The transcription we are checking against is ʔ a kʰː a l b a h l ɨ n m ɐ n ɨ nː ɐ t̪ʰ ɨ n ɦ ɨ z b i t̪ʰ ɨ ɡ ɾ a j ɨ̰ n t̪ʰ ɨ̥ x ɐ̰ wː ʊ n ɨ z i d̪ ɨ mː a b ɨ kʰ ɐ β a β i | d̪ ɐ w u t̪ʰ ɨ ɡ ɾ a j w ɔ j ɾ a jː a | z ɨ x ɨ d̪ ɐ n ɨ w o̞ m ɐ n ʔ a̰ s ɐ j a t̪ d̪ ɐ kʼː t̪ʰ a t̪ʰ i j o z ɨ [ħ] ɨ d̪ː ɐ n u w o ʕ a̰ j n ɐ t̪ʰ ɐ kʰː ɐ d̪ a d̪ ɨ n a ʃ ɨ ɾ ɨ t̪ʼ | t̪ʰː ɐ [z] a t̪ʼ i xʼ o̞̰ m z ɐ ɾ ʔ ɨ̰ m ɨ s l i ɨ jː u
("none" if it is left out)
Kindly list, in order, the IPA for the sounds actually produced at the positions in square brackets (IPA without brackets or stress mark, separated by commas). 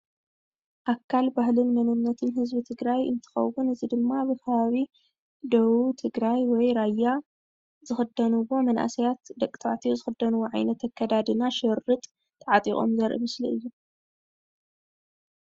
x, ʕ